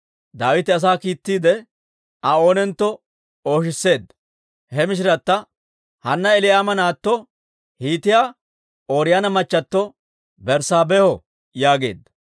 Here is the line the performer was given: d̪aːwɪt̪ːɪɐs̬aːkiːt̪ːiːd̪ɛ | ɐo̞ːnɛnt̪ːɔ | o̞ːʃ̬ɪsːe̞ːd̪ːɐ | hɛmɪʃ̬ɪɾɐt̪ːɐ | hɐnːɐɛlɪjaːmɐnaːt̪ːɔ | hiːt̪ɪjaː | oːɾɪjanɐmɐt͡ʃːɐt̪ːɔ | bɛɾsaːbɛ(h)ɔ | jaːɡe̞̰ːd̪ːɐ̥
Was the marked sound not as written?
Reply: no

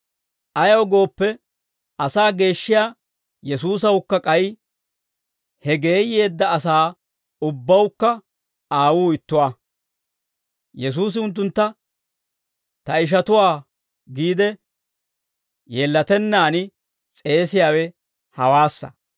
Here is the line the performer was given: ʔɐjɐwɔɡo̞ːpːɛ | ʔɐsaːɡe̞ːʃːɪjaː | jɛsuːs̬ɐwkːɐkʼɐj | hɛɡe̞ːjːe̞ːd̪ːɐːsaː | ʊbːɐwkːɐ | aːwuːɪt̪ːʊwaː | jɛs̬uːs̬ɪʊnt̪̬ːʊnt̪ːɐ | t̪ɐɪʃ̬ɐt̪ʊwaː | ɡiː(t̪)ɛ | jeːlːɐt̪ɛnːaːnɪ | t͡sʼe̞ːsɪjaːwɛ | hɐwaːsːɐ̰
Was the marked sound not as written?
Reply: yes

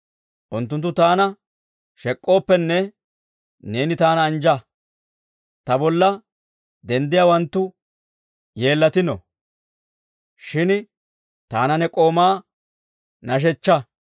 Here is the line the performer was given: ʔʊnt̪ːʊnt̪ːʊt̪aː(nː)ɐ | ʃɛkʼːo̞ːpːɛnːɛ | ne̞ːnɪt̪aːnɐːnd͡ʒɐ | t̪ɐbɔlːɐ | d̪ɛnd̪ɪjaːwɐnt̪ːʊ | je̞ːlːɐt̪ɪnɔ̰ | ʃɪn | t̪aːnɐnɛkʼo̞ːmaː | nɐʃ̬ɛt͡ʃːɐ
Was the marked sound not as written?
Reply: yes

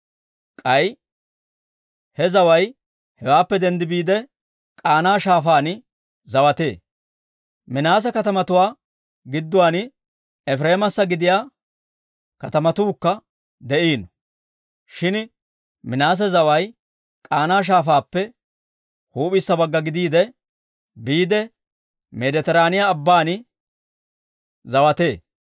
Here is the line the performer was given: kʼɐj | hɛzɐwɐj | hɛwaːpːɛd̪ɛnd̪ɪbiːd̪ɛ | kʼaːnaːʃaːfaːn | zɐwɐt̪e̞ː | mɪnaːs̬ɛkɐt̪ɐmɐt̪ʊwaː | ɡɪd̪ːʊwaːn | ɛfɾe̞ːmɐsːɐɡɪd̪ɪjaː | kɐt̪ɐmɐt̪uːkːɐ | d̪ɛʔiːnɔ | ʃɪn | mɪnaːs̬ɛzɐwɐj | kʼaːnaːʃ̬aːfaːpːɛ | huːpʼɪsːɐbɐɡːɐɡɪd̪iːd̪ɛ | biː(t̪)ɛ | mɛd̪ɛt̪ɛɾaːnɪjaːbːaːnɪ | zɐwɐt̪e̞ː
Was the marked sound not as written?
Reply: yes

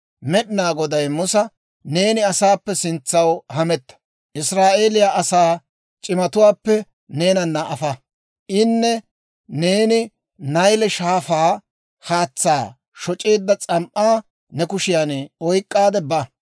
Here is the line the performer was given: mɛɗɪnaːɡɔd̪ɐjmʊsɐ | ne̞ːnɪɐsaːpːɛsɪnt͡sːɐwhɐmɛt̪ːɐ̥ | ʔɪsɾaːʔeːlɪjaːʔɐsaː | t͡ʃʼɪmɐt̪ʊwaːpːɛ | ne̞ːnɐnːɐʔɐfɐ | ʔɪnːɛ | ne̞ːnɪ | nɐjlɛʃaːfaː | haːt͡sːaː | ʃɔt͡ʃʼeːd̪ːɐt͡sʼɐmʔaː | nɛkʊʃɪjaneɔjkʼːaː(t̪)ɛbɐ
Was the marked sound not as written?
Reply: yes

